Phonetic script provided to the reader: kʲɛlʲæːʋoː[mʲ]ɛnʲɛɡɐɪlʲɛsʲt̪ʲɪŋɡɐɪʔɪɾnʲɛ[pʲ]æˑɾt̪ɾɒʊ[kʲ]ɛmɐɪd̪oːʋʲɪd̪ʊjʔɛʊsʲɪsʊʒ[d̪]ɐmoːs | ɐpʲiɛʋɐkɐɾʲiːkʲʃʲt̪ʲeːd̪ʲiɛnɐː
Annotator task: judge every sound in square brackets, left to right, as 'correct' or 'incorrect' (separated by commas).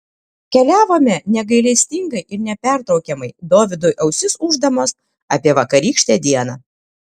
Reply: correct, correct, correct, correct